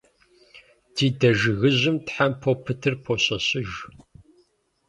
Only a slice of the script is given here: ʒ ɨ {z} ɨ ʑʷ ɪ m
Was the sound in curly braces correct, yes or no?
no